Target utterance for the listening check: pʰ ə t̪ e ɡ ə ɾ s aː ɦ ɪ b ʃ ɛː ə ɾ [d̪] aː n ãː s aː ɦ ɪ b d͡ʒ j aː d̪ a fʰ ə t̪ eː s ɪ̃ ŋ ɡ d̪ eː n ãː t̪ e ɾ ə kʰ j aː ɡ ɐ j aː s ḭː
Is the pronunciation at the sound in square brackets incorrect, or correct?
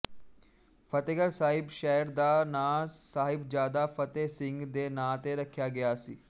correct